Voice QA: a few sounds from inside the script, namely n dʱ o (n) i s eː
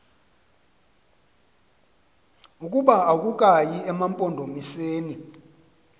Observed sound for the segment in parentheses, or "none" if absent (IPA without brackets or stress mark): m